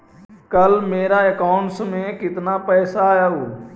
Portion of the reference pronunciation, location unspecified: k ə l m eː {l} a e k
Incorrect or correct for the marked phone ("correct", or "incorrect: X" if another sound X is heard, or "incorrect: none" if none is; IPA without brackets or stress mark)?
incorrect: ɾ